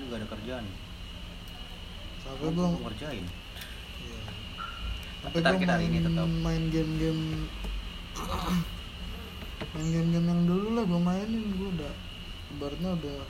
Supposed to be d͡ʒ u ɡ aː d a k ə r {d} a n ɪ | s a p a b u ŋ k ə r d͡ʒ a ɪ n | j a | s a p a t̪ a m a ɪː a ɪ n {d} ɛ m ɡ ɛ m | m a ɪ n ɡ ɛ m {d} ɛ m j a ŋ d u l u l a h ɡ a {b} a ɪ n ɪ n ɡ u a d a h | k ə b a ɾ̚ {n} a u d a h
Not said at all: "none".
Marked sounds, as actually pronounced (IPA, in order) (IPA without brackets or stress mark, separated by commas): d͡ʒ, ɡ, ɡ, m, ɲ